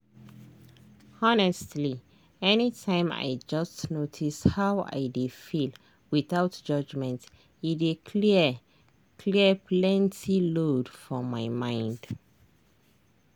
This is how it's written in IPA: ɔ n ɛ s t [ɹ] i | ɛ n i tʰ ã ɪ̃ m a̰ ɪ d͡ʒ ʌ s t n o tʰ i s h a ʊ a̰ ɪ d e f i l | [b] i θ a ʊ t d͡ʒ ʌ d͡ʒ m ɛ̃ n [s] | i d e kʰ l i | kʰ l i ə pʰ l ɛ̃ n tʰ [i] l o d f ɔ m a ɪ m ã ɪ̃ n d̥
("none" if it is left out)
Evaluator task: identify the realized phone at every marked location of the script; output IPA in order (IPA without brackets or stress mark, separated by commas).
l, w, t, i